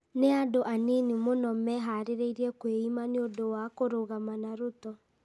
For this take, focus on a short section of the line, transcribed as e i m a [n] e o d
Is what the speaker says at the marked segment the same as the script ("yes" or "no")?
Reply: yes